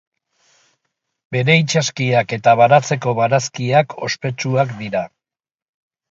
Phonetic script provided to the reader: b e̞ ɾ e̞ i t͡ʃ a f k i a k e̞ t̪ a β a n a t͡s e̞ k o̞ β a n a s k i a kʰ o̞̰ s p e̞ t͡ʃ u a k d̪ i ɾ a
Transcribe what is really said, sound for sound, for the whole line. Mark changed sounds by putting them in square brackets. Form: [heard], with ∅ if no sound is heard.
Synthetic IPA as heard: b e̞ ɾ e̞ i t͡ʃ a [s] k i a k e̞ t̪ a β a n a t͡s e̞ k o̞ β a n a s k i a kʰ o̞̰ s p e̞ t͡ʃ u a k d̪ i ɾ a

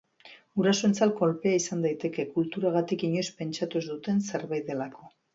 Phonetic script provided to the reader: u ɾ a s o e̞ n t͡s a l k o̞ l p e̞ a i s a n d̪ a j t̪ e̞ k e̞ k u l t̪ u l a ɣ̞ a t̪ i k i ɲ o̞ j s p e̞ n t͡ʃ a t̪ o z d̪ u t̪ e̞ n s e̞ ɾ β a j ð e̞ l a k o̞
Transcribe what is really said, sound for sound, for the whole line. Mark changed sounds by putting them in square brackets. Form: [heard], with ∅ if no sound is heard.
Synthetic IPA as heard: u ɾ a s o e̞ n t͡s a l k o̞ l p e̞ a i s a n d̪ a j t̪ e̞ k e̞ k u l t̪ u [ɾ] a ɣ̞ a t̪ i k i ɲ o̞ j s p e̞ n t͡ʃ a t̪ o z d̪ u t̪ e̞ n s e̞ ɾ β a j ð e̞ l a k o̞

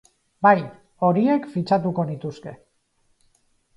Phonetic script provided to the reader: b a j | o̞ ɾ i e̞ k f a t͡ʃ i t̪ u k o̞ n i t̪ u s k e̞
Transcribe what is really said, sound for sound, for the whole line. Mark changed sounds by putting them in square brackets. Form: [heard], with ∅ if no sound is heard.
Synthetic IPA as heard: b a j | o̞ ɾ i e̞ k f [i] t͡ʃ [a] t̪ u k o̞ n i t̪ u s k e̞

